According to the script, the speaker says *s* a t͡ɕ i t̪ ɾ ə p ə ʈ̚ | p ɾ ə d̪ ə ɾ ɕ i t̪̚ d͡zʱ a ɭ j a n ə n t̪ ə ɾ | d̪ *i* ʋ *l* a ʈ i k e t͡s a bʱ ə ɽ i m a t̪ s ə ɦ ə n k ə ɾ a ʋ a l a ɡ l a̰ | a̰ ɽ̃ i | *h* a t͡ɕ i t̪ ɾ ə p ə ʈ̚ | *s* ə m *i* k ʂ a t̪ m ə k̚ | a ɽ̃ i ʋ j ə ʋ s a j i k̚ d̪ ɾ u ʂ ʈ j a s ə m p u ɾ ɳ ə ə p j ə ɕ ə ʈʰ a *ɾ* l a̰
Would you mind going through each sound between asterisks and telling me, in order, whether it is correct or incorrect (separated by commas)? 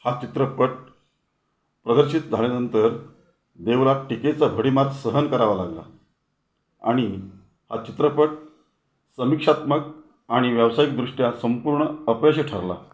incorrect, incorrect, correct, correct, correct, correct, correct